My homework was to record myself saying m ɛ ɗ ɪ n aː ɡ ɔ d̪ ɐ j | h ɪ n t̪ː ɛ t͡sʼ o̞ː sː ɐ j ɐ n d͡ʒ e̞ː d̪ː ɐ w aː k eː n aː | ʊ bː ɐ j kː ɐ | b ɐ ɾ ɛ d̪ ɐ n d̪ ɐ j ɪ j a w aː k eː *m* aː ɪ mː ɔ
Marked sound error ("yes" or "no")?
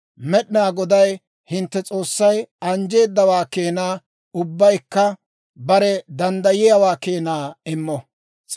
yes